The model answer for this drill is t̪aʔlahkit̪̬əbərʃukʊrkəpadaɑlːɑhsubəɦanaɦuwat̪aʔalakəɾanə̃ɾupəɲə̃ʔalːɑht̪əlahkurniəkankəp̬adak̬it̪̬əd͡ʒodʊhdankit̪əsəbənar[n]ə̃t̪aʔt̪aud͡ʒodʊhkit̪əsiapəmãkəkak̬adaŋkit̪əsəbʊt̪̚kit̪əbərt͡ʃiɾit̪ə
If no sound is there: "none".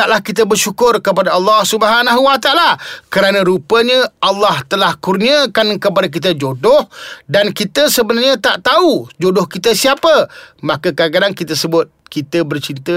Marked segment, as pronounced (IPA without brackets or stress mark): ɲ